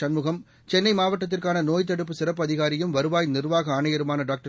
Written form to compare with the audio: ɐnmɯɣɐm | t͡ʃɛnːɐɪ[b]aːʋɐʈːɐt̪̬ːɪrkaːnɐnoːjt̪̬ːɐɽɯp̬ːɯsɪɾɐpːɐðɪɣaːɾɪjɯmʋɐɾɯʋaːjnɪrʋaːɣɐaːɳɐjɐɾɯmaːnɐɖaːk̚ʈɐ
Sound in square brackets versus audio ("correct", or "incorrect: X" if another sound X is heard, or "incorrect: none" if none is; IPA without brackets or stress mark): incorrect: m